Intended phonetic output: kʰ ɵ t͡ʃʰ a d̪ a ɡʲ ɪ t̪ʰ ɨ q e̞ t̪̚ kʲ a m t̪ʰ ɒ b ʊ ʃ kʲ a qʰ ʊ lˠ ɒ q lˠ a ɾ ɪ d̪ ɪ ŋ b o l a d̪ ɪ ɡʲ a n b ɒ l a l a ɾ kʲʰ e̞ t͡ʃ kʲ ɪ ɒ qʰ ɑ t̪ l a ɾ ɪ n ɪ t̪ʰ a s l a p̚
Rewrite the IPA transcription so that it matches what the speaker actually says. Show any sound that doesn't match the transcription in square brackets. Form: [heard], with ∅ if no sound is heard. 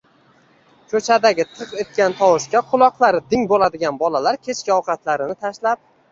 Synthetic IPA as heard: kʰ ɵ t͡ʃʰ a d̪ a ɡʲ ɪ t̪ʰ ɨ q e̞ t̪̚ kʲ a [n] t̪ʰ ɒ [w] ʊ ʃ kʲ a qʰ ʊ lˠ ɒ q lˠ a ɾ ɪ d̪ ɪ ŋ b o l a d̪ ɪ ɡʲ a n b ɒ l a l a ɾ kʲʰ e̞ t͡ʃ kʲ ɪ ɒ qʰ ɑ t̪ l a ɾ ɪ n ɪ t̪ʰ a [ʃ] l a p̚